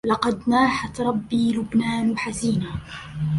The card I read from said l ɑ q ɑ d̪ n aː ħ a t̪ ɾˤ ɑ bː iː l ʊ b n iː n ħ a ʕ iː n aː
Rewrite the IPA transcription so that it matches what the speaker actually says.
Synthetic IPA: l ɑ q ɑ d̪ n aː ħ a t̪ ɾˤ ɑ bː iː l ʊ b n aː n ħ a z iː n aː